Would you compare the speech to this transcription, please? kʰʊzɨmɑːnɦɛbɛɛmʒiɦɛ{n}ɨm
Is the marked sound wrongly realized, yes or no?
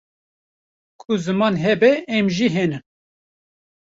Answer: no